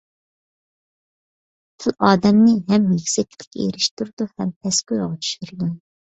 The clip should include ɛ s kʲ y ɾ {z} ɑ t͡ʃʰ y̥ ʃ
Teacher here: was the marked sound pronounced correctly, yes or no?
no